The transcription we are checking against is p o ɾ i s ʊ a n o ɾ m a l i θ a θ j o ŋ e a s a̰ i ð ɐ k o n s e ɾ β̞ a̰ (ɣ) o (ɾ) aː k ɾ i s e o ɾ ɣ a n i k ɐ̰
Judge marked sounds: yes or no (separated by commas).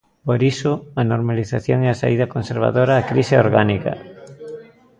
no, yes